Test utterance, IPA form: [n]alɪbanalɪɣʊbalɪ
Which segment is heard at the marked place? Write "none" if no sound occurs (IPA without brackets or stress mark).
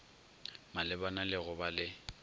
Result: m